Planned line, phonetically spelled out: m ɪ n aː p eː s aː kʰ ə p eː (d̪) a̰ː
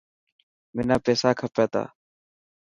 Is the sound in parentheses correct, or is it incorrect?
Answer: incorrect